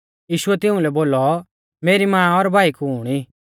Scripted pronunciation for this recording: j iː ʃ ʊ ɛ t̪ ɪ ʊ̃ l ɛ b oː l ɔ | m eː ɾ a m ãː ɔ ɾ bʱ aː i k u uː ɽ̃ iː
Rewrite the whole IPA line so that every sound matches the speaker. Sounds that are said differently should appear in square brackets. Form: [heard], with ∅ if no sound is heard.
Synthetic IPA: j iː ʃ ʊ ɛ t̪ ɪ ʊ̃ l ɛ b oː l ɔ | m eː ɾ [i] m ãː ɔ ɾ bʱ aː i k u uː ɽ̃ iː